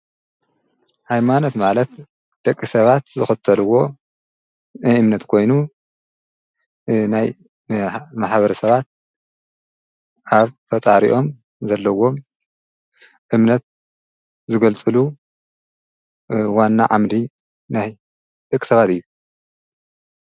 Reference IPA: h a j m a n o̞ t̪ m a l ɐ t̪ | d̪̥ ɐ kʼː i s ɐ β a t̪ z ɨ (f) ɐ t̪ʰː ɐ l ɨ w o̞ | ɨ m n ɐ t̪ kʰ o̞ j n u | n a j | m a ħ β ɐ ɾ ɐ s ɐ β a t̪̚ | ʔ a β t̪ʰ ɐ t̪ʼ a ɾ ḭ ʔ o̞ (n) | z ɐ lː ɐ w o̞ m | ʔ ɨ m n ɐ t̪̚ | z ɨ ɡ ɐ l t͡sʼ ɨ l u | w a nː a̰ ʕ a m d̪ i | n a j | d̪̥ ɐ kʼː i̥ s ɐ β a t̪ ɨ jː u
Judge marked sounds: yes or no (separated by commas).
no, no